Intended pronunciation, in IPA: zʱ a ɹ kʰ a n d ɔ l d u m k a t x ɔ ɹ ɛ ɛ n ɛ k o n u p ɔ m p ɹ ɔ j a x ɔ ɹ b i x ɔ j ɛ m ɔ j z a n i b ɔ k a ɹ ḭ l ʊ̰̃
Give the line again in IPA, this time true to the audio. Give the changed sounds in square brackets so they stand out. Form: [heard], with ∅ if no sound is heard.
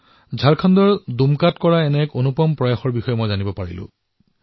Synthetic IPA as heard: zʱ a ɹ kʰ a n d ɔ [ɹ] d u m k a t [k] ɔ ɹ [a] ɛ n ɛ k o n u p ɔ m p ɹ ɔ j a x ɔ ɹ b i x ɔ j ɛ m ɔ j z a n i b ɔ [p] a ɹ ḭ l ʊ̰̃